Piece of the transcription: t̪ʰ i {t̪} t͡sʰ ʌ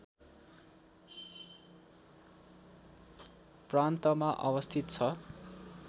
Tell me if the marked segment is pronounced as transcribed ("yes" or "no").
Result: yes